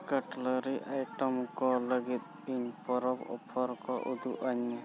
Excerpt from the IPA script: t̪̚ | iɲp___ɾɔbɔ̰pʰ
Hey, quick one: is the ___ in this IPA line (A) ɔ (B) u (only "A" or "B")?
A